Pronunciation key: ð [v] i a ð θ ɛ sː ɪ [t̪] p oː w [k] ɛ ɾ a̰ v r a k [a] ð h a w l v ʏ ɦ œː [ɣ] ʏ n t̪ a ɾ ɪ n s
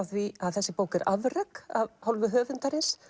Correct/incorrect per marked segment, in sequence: correct, incorrect, correct, correct, incorrect

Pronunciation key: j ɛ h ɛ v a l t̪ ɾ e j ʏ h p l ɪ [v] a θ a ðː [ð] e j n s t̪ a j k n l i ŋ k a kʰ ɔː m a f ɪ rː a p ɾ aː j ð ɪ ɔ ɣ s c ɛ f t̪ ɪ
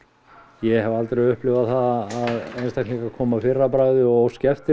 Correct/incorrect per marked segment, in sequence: correct, correct

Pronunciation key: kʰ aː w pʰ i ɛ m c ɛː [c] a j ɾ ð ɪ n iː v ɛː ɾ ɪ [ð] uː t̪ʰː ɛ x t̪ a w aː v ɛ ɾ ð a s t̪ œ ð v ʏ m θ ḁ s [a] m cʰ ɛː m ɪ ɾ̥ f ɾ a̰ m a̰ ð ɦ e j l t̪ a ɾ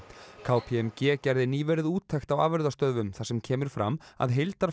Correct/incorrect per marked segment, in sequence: correct, correct, incorrect

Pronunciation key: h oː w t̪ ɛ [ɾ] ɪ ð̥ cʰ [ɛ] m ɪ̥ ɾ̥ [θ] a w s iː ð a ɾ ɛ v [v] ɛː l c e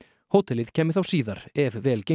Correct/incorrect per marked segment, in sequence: incorrect, incorrect, correct, correct

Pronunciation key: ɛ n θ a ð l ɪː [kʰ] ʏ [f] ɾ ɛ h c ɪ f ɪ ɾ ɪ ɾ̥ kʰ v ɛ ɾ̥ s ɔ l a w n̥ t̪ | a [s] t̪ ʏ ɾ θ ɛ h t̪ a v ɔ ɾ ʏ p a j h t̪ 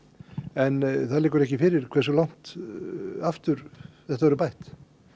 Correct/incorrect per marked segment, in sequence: incorrect, incorrect, incorrect

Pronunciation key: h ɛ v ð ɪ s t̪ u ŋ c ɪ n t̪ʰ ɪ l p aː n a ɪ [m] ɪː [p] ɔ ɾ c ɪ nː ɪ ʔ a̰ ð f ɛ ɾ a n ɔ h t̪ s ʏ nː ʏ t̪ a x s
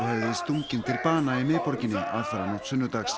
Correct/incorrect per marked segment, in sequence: correct, correct

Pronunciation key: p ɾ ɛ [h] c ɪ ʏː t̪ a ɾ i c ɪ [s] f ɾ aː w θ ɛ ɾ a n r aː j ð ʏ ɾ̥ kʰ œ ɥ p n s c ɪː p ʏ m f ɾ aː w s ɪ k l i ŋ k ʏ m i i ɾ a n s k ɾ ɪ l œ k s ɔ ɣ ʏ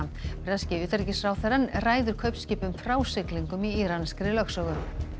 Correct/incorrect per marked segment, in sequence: incorrect, correct

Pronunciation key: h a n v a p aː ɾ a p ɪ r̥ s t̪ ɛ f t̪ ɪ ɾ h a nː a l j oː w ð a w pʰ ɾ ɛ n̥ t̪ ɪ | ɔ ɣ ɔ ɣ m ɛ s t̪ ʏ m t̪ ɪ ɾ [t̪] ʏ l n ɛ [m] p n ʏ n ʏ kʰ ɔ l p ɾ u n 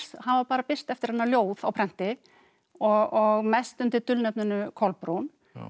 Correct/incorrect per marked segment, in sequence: correct, incorrect

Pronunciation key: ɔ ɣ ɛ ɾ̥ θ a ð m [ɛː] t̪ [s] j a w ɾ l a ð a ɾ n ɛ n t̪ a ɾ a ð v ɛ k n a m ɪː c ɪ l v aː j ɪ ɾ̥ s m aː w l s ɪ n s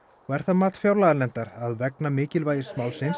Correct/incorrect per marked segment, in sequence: incorrect, incorrect

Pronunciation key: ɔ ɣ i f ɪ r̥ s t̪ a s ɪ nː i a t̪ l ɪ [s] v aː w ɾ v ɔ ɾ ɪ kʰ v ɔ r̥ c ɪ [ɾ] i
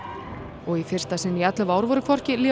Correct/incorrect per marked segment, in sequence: incorrect, incorrect

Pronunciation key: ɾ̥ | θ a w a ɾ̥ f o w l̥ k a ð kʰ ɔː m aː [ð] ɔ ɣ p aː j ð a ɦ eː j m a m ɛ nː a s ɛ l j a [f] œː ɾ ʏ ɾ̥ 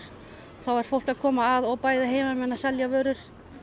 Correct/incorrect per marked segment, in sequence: correct, incorrect

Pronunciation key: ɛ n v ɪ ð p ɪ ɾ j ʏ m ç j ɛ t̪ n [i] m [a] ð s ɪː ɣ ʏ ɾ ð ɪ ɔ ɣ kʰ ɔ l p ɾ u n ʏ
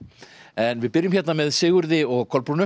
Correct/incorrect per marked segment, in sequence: incorrect, incorrect

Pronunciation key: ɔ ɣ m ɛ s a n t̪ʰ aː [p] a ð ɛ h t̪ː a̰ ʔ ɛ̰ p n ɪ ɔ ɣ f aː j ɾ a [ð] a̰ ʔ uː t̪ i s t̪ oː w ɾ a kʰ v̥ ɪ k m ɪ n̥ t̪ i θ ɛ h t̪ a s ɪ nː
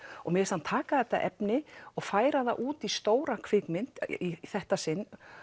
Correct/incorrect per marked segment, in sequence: incorrect, correct

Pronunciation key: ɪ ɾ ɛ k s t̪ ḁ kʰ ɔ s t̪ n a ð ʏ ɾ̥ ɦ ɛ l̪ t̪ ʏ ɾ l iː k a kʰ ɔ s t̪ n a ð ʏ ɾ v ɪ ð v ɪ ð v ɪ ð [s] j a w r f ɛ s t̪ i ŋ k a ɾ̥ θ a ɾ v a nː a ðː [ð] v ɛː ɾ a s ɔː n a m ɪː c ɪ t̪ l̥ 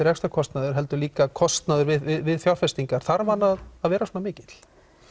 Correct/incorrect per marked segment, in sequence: incorrect, correct

